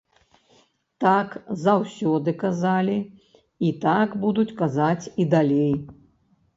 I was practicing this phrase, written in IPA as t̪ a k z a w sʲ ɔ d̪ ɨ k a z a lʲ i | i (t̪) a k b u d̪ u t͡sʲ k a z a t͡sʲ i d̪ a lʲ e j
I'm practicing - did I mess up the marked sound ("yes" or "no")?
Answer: no